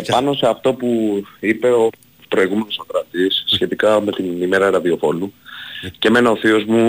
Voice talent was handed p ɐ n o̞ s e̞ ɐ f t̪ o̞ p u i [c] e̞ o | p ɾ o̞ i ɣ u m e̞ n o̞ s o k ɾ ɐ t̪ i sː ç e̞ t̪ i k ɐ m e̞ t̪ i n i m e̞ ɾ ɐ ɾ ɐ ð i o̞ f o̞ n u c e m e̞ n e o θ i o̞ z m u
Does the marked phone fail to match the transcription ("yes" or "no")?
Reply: yes